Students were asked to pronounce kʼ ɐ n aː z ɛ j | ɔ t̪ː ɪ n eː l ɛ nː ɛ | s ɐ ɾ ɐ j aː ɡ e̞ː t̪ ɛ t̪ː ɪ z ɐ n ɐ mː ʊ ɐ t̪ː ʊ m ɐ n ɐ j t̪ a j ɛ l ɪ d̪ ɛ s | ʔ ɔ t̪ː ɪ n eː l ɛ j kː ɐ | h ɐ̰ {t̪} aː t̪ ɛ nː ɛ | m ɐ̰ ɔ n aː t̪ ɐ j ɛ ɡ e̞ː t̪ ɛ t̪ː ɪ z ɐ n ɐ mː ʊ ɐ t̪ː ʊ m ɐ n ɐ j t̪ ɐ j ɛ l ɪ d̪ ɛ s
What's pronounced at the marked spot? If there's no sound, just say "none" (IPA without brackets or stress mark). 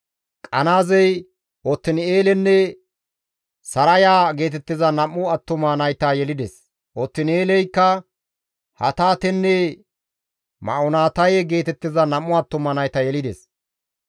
t̪